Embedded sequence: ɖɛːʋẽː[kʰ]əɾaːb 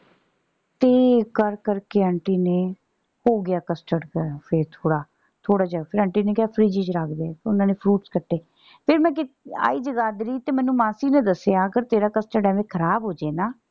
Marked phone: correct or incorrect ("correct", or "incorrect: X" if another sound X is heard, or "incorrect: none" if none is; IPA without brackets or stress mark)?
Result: correct